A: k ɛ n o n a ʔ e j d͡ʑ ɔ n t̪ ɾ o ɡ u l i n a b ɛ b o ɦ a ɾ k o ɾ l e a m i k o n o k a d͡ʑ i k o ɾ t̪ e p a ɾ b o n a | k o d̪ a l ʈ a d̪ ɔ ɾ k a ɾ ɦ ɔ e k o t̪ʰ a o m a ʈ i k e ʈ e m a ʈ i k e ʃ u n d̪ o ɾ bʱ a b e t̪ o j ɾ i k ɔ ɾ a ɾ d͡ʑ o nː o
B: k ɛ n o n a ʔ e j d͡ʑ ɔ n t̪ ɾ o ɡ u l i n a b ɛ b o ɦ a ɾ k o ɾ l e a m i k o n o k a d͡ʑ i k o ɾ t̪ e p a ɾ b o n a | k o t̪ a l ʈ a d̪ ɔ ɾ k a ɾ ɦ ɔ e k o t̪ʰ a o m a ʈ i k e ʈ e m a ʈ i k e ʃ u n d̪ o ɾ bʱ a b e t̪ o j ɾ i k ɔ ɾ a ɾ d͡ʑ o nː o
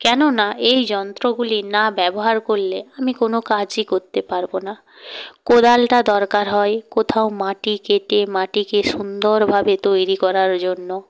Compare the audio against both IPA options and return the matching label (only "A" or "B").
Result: A